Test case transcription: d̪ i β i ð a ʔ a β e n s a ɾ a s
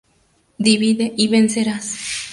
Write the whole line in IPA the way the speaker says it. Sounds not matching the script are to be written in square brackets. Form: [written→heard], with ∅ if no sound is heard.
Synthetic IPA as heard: d̪ i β i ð [a→e] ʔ [a→i] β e n s [a→e] ɾ a s